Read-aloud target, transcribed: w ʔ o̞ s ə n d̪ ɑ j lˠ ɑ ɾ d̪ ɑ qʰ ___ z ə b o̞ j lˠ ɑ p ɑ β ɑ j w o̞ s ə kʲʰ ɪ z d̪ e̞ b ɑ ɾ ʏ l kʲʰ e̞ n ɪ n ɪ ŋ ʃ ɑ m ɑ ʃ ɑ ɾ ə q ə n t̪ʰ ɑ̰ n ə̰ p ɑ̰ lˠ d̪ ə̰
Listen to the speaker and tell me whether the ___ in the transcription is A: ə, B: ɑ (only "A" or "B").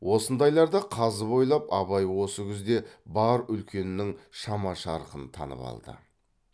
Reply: B